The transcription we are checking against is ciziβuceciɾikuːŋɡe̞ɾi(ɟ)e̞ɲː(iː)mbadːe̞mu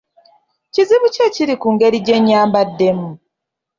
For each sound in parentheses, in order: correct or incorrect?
correct, incorrect: aː

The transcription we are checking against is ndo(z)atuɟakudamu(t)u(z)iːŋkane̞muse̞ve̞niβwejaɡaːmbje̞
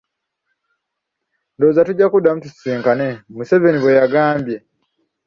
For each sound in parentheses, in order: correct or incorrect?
correct, correct, incorrect: s

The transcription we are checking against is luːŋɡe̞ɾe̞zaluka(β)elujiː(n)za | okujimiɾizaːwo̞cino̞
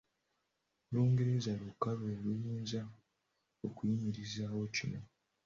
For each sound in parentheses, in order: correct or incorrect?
correct, correct

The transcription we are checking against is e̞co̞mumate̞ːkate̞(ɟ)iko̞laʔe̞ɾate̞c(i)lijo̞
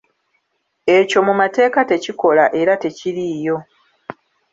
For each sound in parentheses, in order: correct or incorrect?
incorrect: c, correct

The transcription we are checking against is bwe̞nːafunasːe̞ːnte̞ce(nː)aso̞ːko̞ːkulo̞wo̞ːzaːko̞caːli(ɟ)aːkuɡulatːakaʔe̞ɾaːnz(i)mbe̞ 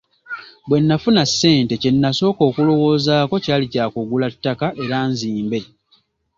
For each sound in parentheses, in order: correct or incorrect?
correct, incorrect: c, incorrect: iː

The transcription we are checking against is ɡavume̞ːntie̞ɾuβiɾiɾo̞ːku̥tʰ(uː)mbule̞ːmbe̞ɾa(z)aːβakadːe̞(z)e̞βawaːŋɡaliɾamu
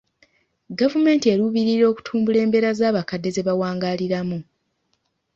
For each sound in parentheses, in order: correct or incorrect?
correct, correct, correct

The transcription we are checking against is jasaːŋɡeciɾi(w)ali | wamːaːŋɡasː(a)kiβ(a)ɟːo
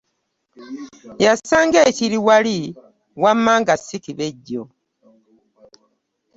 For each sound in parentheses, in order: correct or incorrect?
correct, incorrect: i, incorrect: e

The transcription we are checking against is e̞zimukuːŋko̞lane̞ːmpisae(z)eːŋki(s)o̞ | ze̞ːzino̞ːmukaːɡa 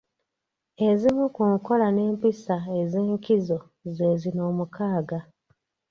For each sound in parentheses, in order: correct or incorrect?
correct, incorrect: z

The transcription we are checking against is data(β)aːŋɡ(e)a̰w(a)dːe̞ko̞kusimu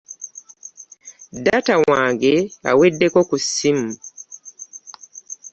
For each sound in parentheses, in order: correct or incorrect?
incorrect: w, correct, incorrect: e

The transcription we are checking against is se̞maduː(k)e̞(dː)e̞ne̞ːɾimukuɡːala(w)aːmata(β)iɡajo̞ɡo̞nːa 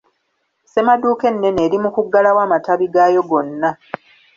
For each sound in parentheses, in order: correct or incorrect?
correct, incorrect: nː, correct, correct

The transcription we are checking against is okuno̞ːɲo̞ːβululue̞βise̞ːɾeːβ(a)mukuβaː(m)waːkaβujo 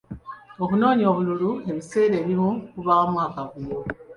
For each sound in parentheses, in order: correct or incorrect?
incorrect: i, correct

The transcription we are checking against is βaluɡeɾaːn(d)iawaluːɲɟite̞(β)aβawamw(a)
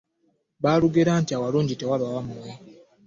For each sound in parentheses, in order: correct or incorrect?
incorrect: t, incorrect: w, incorrect: e

